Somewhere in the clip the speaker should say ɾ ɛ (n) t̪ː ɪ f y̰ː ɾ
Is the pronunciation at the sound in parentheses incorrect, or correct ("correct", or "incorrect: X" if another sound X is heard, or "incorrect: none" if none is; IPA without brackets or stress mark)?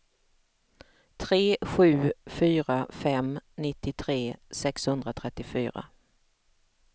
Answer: incorrect: none